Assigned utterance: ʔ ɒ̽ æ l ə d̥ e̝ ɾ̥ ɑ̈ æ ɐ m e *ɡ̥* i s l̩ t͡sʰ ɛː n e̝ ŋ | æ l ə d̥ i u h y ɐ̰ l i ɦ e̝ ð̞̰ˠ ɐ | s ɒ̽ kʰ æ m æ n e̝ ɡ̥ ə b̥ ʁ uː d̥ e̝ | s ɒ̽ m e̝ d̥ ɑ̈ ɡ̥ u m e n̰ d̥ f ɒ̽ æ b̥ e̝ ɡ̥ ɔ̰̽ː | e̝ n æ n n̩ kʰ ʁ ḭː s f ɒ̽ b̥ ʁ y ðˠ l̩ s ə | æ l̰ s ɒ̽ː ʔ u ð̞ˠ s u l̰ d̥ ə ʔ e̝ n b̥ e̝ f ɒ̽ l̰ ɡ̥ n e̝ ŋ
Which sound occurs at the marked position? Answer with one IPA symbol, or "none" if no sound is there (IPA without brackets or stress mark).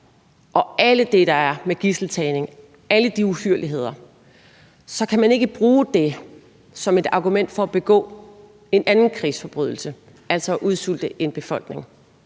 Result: ɡ̥